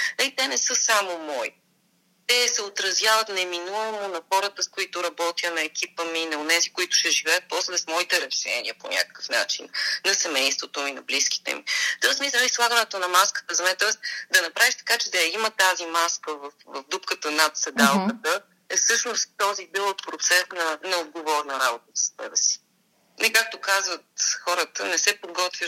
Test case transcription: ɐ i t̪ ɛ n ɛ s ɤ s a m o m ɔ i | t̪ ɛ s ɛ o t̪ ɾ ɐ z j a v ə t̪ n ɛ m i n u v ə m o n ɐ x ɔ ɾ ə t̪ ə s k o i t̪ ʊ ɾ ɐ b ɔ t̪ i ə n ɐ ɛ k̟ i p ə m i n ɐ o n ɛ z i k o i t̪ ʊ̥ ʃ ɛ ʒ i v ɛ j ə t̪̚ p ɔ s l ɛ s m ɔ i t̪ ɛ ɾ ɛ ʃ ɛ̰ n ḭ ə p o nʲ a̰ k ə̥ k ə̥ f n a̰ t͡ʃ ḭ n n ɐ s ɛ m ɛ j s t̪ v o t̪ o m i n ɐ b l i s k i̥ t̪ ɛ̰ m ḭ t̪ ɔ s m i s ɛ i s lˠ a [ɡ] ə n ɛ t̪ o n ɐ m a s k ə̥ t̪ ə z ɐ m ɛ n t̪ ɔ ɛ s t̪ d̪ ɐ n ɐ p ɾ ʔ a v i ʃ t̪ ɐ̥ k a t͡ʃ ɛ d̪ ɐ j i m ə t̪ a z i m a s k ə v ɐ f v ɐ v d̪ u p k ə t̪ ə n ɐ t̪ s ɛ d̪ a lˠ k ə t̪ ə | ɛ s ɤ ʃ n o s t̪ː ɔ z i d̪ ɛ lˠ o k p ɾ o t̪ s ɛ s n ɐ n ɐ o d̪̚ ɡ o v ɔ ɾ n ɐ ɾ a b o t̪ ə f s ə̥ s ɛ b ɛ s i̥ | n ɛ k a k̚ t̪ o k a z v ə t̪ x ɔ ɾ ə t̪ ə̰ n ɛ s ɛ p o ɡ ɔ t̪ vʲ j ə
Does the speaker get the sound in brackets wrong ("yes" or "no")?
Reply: no